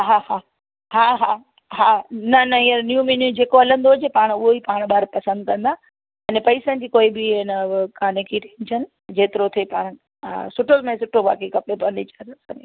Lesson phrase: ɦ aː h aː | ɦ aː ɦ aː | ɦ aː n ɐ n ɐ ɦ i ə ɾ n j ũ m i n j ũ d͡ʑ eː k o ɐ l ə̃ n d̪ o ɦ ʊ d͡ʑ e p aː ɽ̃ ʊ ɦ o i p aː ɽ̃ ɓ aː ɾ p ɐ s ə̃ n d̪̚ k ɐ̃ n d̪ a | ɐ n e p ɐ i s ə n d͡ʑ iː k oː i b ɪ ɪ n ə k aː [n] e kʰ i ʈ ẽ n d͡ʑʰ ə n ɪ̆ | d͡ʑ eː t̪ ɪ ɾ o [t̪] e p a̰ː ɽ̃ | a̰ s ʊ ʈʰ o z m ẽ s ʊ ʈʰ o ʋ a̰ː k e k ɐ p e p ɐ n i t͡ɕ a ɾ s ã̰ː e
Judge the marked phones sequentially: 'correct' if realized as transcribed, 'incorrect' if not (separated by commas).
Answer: correct, incorrect